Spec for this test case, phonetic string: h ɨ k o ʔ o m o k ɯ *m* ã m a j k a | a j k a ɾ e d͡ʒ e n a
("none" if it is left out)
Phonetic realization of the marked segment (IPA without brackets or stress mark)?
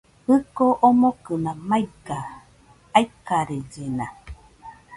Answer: n